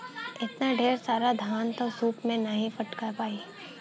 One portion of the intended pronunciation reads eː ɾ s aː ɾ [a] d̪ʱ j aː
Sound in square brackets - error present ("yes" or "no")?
no